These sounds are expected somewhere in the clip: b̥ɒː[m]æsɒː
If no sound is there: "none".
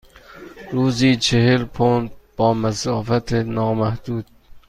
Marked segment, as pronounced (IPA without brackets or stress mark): m